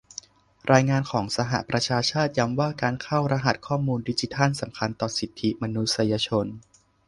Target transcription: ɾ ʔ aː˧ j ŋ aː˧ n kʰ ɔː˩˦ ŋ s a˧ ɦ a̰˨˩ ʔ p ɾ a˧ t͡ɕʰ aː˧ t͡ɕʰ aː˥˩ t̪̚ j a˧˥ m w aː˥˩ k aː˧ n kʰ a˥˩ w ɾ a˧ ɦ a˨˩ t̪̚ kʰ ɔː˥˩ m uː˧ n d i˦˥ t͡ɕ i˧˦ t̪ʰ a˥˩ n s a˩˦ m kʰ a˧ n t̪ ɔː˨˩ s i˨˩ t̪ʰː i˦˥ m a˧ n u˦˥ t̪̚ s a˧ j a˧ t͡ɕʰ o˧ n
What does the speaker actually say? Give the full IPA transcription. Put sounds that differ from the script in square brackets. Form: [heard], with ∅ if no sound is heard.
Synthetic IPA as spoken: ɾ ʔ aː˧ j ŋ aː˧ n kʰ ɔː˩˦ ŋ s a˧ ɦ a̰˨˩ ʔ p ɾ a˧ t͡ɕʰ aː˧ t͡ɕʰ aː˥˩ t̪̚ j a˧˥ m w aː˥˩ k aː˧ n kʰ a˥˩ w ɾ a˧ ɦ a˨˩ t̪̚ kʰ ɔː˥˩ m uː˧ n d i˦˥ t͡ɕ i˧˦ t̪ʰ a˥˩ n s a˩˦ m kʰ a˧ n t̪ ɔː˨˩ s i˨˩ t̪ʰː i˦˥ m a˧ n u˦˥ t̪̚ s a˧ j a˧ t͡ɕʰ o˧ n